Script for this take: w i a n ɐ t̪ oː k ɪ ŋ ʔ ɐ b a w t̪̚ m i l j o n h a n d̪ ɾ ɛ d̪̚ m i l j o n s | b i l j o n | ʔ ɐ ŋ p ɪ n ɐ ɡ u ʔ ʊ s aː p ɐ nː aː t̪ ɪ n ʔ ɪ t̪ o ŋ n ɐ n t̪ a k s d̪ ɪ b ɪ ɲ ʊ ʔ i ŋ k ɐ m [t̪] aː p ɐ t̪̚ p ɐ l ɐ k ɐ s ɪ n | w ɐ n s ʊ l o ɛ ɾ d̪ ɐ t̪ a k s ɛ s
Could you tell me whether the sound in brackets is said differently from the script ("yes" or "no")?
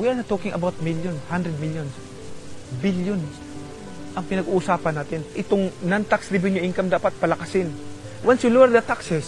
yes